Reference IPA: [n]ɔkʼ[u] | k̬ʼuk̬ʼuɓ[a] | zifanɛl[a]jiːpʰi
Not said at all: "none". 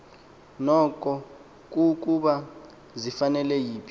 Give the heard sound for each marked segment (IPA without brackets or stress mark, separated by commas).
n, ɔ, a, ɛ